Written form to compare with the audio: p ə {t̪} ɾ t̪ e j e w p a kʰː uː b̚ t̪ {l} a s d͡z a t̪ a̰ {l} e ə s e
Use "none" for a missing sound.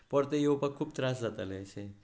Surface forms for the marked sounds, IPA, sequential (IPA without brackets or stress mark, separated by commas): none, ɾ, l